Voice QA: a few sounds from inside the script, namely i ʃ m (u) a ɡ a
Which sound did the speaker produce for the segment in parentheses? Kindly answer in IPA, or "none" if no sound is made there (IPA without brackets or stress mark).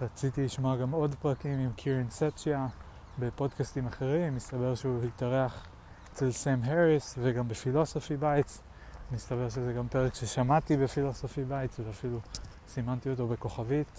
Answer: o